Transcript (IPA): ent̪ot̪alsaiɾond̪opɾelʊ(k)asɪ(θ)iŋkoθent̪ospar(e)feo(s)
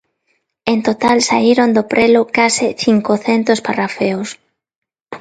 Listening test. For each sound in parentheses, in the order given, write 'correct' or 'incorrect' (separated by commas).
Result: correct, correct, incorrect, correct